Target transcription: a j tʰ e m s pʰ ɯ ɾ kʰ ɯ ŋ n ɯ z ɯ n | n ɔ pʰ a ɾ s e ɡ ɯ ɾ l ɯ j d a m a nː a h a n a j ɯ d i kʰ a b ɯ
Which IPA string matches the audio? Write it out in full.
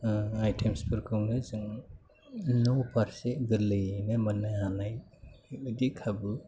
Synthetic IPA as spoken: a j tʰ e m s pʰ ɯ ɾ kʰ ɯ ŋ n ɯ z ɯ ŋ | n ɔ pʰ a ɾ s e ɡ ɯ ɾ l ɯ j n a m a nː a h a n a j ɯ d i kʰ a b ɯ